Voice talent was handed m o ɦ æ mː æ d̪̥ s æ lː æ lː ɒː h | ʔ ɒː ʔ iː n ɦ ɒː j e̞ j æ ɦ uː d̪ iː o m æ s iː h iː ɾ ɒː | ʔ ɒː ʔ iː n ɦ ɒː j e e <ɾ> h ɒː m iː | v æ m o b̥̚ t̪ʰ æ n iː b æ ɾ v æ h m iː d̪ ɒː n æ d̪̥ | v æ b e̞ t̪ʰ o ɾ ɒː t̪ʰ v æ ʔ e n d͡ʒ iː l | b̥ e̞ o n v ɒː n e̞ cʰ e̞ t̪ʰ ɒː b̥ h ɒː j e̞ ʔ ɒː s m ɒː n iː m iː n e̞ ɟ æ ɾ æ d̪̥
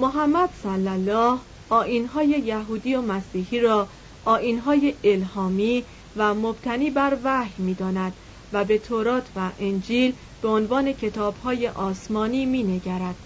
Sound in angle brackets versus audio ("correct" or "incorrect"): incorrect